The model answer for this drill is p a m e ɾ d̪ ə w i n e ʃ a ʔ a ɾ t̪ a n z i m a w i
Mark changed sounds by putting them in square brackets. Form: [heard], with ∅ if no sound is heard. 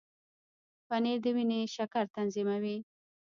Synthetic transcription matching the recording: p a [n] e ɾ d̪ ə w i n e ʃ a [k] a ɾ t̪ a n z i m a w i